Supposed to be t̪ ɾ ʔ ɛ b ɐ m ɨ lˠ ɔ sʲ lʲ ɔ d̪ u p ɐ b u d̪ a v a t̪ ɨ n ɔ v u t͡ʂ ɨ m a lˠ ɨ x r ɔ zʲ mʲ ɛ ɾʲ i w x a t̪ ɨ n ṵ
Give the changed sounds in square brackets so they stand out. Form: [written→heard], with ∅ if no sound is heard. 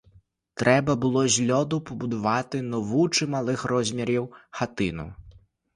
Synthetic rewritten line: t̪ ɾ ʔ ɛ b ɐ [m→b] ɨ lˠ ɔ [sʲ→zʲ] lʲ ɔ d̪ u p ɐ b u d̪ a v a t̪ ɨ n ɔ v u t͡ʂ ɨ m a lˠ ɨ x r ɔ zʲ mʲ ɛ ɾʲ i w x a t̪ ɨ n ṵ